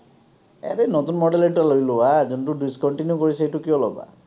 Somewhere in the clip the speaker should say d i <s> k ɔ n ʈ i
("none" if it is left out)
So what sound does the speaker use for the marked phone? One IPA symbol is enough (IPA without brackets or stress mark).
s